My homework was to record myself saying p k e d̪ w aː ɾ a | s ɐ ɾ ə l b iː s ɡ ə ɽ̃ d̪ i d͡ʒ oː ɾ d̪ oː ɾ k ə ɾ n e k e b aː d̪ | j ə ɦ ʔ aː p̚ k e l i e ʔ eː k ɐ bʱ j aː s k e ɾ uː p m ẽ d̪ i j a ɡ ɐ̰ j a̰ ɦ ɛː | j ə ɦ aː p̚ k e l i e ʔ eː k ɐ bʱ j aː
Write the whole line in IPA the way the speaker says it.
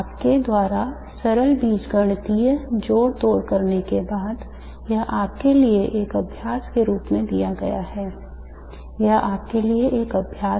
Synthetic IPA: p k e d̪ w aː ɾ a | s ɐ ɾ ə l b iː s ɡ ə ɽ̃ t̪ i d͡ʒ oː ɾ t̪ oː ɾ k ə ɾ n e k e b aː d̪ | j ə ɦ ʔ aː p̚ k e l i e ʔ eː k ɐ bʱ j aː s k e ɾ uː p m ẽ d̪ i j a ɡ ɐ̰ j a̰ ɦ ɛː | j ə ɦ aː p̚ k e l i e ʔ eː k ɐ bʱ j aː